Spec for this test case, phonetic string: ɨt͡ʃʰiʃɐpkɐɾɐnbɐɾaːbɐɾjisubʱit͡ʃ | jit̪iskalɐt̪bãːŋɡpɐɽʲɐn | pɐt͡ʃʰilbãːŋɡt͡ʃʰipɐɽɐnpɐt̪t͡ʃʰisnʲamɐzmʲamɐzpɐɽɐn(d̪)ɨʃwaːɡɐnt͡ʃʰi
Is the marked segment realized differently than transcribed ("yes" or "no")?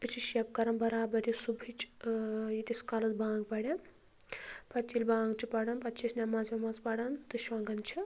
yes